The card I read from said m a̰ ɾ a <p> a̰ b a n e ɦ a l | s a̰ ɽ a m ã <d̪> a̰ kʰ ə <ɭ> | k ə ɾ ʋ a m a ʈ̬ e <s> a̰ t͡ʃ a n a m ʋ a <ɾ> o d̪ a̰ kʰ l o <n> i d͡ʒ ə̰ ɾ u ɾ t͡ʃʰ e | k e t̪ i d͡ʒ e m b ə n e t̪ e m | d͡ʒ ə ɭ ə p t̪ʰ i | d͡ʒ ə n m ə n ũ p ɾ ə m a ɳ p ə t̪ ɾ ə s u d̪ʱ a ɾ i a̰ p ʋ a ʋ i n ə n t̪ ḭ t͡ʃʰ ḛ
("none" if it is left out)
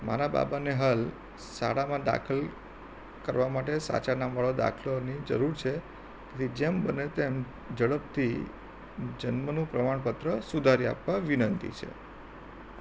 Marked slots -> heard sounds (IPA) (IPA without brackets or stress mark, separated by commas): b, d̪, l, s, ɭ, n